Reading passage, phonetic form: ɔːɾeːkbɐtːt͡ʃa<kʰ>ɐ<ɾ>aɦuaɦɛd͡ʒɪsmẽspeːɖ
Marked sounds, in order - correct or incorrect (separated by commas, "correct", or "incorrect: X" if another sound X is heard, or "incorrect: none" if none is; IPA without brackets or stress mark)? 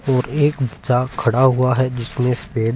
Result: correct, incorrect: ɽ